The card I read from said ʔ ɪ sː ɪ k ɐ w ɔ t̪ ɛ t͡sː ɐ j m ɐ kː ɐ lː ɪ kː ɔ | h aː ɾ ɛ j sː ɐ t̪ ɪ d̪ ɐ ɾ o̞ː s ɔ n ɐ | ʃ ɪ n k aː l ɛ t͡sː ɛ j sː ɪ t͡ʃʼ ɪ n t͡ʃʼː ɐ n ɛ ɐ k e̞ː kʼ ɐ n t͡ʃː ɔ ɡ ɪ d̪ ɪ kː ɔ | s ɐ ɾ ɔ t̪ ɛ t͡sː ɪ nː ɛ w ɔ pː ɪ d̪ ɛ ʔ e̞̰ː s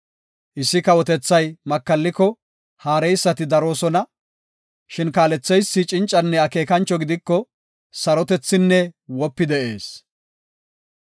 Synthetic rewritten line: ʔ ɪ sː ɪ k ɐ w ɔ t̪ ɛ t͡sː ɐ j m ɐ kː ɐ lː ɪ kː ɔ | h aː ɾ ɛ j sː ɐ t̪ ɪ d̪ ɐ ɾ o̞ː s ɔ n ɐ | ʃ ɪ n k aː l ɛ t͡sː ɛ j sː ɪ t͡ʃʼ ɪ n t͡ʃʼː ɐ nː ɛ ɐ k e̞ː k ɐ n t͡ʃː ɔ ɡ ɪ d̪ ɪ kː ɔ | s ɐ ɾ ɔ t̪ ɛ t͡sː ɪ nː ɛ w ɔ pː ɪ d̪ ɛ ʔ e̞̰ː s